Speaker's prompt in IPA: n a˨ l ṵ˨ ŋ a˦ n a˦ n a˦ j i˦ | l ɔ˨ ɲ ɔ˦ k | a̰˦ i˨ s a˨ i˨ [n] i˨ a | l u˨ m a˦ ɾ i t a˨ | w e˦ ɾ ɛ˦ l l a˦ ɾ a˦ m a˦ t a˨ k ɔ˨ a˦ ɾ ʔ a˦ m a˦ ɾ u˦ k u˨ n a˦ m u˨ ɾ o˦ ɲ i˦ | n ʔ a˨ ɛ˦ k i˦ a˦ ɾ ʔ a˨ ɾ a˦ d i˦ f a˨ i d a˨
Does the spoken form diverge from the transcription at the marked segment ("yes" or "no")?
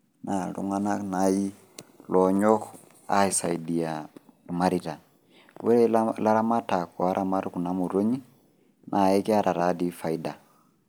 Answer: yes